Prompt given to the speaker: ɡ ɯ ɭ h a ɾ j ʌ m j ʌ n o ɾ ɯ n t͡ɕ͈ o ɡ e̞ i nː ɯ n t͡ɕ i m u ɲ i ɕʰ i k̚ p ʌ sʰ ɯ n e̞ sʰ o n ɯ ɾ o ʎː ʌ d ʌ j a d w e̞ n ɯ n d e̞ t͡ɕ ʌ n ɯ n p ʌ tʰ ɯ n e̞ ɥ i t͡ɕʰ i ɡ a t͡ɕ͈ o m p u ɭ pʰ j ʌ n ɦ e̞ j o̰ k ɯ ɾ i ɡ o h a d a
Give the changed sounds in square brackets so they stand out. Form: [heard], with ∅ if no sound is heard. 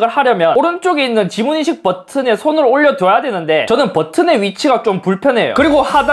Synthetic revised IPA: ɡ ɯ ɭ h a ɾ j ʌ m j ʌ n o ɾ ɯ n t͡ɕ͈ o ɡ e̞ i nː ɯ n t͡ɕ i m u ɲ i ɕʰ i k̚ p ʌ [tʰ] ɯ n e̞ sʰ o n ɯ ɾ o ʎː ʌ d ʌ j a d w e̞ n ɯ n d e̞ t͡ɕ ʌ n ɯ n p ʌ tʰ ɯ n e̞ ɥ i t͡ɕʰ i ɡ a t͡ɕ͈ o m p u ɭ pʰ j ʌ n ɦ e̞ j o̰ k ɯ ɾ i ɡ o h a d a